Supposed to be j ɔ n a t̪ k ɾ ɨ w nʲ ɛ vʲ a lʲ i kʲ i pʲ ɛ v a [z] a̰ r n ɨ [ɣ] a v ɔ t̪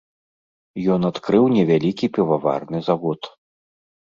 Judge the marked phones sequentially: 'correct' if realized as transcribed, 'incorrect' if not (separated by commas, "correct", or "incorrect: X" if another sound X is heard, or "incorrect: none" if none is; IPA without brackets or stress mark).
incorrect: v, incorrect: z